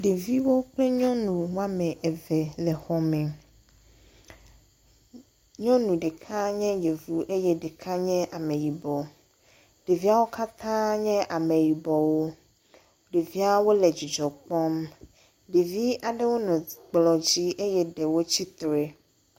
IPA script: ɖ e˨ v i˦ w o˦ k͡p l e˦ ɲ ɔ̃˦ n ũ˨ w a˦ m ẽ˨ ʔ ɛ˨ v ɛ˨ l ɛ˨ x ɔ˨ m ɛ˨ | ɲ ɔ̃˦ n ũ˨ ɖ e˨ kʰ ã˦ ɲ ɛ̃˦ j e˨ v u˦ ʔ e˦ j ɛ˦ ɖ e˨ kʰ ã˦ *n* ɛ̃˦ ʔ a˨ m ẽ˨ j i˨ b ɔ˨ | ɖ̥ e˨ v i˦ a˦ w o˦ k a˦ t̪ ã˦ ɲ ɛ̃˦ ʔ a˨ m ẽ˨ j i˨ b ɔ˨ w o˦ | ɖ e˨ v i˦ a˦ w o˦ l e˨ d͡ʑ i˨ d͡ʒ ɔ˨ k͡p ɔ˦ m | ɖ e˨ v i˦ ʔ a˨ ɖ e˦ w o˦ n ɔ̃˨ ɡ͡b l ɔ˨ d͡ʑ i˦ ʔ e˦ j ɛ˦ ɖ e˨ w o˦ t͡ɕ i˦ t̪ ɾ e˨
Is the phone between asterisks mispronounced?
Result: yes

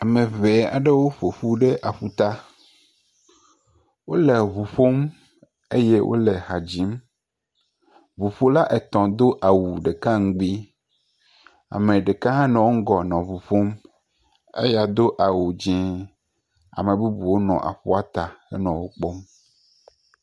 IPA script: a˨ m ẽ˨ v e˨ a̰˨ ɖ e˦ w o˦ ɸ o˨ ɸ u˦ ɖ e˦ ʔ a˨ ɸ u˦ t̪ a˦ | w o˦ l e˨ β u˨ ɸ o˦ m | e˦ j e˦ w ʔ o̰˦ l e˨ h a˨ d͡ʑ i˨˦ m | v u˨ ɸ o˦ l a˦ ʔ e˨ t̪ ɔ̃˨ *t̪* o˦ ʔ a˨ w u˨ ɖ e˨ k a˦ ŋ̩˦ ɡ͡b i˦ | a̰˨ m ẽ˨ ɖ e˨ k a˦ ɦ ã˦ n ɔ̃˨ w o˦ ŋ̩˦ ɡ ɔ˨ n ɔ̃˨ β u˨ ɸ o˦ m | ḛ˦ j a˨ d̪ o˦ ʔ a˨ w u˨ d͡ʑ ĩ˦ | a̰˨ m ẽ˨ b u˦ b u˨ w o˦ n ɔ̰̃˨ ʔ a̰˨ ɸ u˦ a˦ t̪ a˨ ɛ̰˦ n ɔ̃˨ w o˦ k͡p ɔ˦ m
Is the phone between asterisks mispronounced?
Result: yes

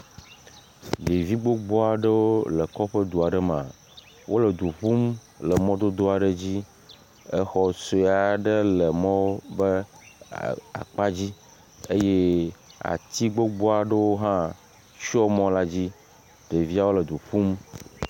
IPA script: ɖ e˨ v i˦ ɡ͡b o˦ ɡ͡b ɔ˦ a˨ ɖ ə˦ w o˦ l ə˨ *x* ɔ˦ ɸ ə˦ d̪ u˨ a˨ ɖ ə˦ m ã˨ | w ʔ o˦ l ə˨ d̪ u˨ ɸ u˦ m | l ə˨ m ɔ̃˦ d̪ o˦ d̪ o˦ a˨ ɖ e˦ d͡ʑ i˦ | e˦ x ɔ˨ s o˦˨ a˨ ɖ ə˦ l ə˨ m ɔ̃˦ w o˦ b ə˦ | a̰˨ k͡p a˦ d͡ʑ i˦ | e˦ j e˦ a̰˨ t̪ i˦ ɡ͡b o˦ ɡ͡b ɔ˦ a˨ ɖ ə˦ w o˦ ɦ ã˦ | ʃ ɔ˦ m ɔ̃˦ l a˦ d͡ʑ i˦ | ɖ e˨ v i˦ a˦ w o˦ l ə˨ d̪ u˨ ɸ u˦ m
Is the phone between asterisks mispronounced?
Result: yes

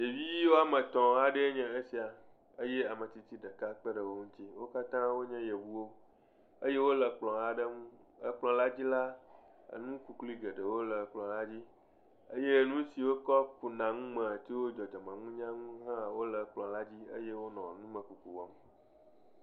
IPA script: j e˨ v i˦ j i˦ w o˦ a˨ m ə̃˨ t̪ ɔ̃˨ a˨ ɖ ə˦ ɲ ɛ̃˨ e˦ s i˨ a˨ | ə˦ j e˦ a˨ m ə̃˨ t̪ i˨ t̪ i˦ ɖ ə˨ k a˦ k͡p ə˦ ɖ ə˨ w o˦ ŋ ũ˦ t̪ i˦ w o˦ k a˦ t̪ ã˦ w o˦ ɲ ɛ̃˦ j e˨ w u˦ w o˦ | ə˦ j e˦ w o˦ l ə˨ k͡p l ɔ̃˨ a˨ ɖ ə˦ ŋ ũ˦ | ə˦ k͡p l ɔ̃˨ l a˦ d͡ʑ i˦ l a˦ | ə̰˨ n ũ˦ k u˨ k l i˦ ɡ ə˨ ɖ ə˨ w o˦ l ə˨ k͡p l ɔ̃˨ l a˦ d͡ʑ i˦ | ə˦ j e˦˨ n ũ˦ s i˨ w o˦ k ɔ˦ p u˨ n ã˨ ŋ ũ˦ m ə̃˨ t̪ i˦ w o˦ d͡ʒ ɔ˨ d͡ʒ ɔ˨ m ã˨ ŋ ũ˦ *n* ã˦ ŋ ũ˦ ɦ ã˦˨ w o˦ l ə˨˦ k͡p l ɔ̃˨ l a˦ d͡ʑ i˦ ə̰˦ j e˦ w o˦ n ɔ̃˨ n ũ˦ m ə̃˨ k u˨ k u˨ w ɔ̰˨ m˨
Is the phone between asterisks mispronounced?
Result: yes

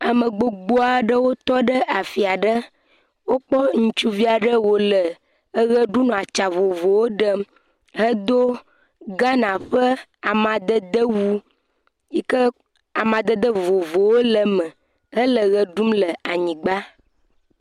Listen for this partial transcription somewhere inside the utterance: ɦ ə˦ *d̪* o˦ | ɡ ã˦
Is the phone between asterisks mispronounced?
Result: no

